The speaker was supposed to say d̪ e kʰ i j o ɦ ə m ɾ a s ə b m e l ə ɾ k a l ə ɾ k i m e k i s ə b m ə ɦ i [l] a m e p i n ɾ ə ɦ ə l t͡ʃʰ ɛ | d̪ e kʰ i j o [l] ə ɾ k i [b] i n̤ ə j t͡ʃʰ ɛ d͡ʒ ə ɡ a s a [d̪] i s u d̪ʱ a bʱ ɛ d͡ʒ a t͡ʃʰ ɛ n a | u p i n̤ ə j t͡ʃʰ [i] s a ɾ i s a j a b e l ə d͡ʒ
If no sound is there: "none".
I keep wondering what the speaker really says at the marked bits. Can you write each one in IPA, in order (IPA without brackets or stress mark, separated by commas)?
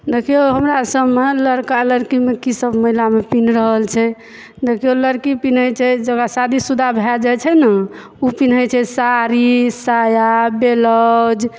l, l, p, d̪, ɛ